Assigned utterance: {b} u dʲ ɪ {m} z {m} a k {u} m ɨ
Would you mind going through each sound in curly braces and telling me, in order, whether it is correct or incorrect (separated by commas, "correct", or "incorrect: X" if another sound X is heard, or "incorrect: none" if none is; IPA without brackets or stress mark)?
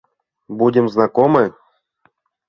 correct, correct, incorrect: n, incorrect: o